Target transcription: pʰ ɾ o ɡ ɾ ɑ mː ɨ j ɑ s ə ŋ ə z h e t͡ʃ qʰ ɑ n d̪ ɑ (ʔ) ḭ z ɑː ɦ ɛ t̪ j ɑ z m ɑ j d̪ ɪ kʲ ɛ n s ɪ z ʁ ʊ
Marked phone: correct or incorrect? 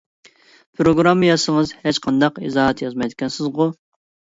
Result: incorrect